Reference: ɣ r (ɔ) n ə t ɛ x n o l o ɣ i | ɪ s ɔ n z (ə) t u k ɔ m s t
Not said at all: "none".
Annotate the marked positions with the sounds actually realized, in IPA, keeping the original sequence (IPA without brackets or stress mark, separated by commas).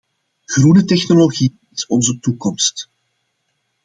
u, ə